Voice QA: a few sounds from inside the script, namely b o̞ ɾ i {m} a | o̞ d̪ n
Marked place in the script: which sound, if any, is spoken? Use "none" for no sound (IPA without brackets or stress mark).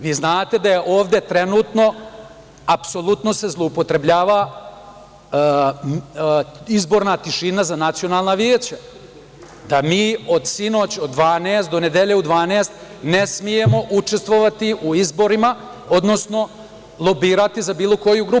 m